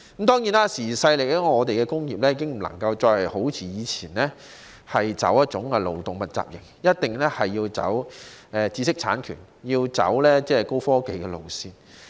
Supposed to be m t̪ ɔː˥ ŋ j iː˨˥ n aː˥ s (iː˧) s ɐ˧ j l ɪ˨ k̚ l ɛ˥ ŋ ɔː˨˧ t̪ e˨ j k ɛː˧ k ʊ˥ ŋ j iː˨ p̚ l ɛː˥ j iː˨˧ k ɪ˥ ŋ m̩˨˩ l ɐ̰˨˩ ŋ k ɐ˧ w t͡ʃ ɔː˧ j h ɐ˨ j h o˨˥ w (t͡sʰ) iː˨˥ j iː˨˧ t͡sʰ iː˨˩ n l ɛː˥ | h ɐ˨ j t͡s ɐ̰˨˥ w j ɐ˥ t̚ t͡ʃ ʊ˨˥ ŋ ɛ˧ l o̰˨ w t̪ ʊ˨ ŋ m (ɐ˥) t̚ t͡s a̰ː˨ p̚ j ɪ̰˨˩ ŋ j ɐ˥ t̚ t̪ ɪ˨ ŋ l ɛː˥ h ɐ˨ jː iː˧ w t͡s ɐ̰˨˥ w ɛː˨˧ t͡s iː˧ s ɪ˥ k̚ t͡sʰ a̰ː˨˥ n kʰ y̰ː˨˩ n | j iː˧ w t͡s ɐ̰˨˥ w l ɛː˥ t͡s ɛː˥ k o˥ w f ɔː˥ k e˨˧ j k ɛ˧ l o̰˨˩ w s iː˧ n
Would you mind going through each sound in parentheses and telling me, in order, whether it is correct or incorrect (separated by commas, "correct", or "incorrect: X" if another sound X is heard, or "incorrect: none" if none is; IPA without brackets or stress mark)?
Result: incorrect: iː˨˩, correct, incorrect: ɐ˨